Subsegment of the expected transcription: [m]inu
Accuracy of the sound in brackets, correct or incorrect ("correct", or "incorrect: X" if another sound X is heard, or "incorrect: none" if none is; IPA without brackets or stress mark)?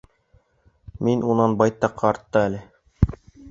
correct